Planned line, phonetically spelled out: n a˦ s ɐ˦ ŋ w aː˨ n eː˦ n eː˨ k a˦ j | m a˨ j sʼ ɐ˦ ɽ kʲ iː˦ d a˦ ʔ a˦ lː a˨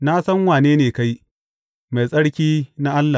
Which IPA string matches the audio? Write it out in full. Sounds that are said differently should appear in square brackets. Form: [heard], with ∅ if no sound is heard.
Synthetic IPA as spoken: n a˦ s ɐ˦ ŋ w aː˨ n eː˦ n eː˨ k a˦ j | m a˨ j sʼ ɐ˦ ɽ kʲ iː˦ [n] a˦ ʔ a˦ lː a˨